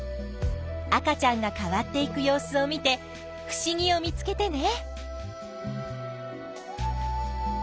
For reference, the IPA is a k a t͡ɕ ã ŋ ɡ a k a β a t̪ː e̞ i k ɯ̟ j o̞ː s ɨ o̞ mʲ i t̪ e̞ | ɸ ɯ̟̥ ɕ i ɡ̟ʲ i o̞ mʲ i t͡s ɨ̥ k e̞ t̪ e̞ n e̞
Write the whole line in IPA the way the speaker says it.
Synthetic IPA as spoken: a k a t͡ɕ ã ŋ ɡ a k a β a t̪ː e̞ i k ɯ̟ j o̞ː s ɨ o̞ mʲ i t̪ e̞ | ɸ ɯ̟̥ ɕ i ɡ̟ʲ i o̞ mʲ i t͡s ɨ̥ k e̞ t̪ e̞ n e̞